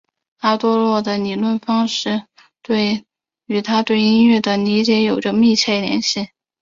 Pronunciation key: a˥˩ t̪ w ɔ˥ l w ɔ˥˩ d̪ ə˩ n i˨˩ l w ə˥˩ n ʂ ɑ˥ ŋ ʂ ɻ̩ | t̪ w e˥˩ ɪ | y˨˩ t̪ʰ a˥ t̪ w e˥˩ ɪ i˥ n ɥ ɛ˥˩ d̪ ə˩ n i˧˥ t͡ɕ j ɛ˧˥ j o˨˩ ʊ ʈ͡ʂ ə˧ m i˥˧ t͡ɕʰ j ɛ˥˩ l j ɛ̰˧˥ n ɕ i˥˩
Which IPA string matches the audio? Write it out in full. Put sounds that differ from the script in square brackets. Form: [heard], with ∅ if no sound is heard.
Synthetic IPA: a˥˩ t̪ w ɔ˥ l w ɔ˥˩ d̪ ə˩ n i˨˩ l w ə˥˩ n [f] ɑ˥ ŋ ʂ ɻ̩ | t̪ w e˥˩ ɪ | y˨˩ t̪ʰ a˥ t̪ w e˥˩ ɪ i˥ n ɥ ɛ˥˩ d̪ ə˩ n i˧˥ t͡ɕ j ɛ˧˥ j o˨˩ ʊ ʈ͡ʂ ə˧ m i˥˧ t͡ɕʰ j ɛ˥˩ l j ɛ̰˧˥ n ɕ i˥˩